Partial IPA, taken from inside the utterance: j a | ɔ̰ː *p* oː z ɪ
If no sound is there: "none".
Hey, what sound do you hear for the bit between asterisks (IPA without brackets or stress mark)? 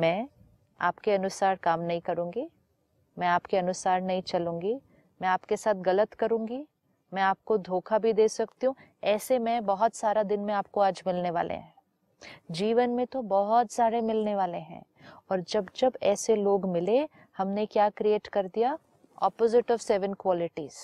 p